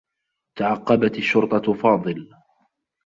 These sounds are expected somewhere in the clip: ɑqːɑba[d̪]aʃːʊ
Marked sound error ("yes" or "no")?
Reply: yes